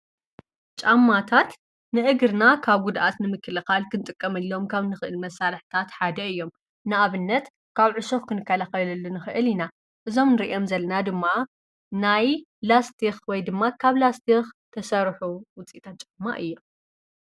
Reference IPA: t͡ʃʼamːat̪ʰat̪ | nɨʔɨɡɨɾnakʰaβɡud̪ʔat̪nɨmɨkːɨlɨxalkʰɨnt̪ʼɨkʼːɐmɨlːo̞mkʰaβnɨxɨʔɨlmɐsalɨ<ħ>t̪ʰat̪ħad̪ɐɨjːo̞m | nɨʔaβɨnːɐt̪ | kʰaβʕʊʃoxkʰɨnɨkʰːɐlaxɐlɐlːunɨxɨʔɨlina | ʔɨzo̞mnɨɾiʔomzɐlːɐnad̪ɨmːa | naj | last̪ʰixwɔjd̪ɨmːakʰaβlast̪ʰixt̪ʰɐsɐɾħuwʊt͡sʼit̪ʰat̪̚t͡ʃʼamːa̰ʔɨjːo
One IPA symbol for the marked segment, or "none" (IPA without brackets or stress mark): ħ